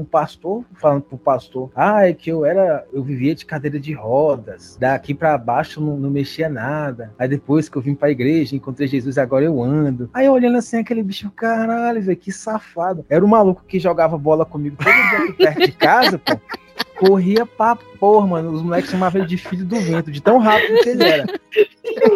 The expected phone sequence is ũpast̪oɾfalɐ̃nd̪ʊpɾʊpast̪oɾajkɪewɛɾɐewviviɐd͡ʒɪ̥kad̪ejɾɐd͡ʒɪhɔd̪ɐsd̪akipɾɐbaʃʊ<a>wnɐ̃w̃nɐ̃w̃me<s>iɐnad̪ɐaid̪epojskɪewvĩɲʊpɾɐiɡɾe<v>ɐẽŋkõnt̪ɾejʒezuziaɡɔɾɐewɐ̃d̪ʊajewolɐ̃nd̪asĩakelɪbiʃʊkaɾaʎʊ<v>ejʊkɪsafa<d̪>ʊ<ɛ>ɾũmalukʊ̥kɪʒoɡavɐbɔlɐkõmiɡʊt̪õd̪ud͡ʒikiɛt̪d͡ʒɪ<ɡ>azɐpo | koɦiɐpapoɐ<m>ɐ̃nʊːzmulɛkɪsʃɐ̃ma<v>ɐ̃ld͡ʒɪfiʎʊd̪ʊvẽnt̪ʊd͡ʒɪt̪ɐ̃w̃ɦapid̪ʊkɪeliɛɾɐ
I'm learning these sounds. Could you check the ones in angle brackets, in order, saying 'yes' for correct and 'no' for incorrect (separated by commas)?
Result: no, no, no, yes, yes, yes, no, yes, yes